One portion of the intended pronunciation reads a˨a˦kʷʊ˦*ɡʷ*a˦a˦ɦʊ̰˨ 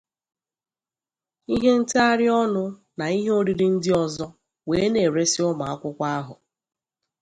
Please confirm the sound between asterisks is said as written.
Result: no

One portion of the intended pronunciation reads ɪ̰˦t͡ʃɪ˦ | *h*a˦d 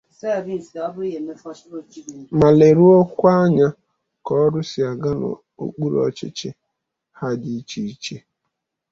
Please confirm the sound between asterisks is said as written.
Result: yes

